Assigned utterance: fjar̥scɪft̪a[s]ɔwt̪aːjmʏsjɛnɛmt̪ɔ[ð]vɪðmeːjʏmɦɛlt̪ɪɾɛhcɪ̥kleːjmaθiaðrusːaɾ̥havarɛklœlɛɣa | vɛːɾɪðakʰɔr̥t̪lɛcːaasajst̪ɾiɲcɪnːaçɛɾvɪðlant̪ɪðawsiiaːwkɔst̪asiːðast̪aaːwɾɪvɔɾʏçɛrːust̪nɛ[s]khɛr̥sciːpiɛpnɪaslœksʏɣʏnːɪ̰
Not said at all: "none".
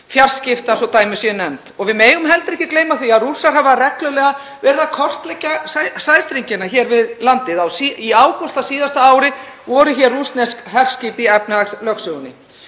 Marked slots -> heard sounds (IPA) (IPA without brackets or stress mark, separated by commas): s, ɣ, s